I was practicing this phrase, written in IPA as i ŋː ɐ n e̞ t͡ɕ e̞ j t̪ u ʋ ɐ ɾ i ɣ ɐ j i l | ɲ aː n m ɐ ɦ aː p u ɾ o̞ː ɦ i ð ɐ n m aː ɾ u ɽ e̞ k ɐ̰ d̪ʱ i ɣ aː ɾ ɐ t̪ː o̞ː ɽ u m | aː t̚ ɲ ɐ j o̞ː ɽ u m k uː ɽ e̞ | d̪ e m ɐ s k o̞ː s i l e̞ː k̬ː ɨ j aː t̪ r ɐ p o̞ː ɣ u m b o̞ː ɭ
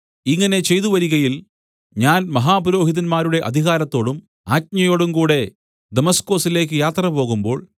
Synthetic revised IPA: i ŋː ɐ n e̞ t͡ɕ e̞ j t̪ u ʋ ɐ ɾ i ɣ ɐ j i l | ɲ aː n m ɐ ɦ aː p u ɾ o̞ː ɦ i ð ɐ n m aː ɾ u ɽ e̞ ʔ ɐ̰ d̪ʱ i ɣ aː ɾ ɐ t̪ː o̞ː ɽ u m | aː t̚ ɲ ɐ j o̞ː ɽ u m k uː ɽ e̞ | d̪ e m ɐ s k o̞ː s i l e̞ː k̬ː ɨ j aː t̪ r ɐ p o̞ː ɣ u m b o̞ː ɭ